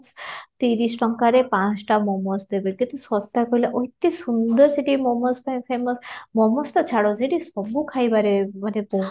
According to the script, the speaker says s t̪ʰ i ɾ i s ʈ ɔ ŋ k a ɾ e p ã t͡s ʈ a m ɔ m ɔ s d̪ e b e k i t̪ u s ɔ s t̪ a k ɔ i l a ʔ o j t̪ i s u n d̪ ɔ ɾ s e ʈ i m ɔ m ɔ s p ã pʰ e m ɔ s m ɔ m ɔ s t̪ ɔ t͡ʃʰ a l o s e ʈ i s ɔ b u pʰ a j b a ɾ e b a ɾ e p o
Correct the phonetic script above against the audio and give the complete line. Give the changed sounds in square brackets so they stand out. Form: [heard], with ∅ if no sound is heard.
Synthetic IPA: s [t̪] i ɾ i s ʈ ɔ ŋ k a ɾ e p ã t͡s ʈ a m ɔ m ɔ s d̪ e b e k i t̪ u s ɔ s t̪ a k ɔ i l a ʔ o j t̪ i s u n d̪ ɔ ɾ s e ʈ i m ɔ m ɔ s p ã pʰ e m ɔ s m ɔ m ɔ s t̪ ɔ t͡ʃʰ a [ɽ] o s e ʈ i s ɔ b u [kʰ] a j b a ɾ e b a ɾ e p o